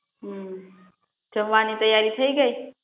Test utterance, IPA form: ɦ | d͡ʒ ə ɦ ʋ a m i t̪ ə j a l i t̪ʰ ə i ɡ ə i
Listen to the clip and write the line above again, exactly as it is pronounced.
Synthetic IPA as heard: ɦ | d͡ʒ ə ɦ ʋ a n i t̪ ə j a ɾ i t̪ʰ ə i ɡ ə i